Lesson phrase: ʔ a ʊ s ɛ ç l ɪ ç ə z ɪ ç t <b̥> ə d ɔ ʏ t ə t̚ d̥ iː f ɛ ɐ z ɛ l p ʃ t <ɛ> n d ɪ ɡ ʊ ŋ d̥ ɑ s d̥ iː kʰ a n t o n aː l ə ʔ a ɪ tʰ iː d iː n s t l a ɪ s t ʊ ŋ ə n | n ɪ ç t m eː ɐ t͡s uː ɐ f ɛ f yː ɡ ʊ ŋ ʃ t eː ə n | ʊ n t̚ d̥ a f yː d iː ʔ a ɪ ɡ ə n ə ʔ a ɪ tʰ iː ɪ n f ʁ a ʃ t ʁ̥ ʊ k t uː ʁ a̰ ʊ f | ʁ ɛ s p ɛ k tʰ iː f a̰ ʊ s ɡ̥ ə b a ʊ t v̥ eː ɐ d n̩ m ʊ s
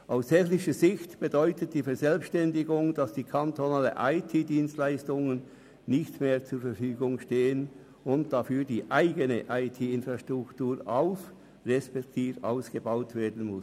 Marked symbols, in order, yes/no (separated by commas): yes, yes